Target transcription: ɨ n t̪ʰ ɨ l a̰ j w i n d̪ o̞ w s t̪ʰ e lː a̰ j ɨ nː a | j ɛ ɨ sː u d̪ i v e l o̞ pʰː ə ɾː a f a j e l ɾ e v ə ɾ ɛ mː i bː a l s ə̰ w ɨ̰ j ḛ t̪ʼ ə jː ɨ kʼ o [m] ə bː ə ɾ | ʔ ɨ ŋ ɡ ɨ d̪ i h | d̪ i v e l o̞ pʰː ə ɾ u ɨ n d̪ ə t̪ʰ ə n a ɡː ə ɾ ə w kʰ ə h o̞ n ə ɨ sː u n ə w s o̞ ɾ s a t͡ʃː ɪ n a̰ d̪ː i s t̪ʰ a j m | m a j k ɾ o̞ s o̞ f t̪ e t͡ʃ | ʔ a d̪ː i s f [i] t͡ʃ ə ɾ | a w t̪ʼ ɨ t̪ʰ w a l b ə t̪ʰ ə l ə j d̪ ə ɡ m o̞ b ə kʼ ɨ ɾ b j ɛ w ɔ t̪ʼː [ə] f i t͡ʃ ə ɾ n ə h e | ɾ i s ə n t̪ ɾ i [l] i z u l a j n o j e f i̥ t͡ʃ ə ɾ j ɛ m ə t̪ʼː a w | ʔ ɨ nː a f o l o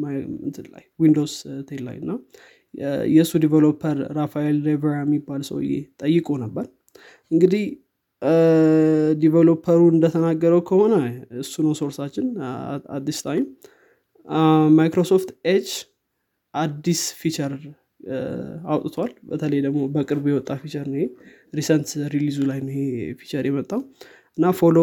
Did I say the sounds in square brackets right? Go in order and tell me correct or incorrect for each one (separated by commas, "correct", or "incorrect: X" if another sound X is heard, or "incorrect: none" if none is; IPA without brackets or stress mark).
incorrect: n, correct, incorrect: a, correct